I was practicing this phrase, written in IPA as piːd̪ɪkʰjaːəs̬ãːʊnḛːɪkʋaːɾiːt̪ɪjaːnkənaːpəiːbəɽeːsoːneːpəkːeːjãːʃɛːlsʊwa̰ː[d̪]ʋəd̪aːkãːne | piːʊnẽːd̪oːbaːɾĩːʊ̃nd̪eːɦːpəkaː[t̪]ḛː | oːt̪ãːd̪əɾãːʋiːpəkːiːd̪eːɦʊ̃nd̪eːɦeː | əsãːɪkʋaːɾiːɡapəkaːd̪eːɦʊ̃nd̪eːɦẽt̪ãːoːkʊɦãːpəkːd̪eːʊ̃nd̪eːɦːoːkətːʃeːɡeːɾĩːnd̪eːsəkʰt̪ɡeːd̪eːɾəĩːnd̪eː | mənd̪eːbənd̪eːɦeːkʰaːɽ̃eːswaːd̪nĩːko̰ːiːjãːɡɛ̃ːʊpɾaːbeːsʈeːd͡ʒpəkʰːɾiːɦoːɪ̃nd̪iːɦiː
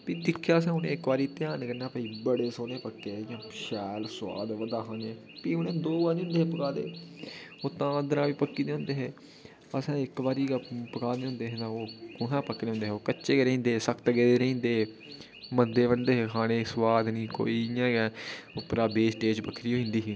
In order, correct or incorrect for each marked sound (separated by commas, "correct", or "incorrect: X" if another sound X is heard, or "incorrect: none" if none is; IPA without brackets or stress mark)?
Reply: correct, incorrect: d̪